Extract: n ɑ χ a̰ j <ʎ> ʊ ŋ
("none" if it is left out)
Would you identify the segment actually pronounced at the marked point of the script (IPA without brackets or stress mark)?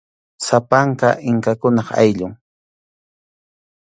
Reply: ʎ